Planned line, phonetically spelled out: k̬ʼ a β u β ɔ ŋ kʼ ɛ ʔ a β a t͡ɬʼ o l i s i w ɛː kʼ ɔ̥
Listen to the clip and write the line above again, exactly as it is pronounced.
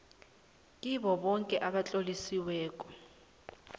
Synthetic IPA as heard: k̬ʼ i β ɔ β ɔ ŋ kʼ ɛ ʔ a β a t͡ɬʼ o l i s i w ɛː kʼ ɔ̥